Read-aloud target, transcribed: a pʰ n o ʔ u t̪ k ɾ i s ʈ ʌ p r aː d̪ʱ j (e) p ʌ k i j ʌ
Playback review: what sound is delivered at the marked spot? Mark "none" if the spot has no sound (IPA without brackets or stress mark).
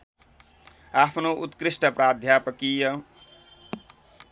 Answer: a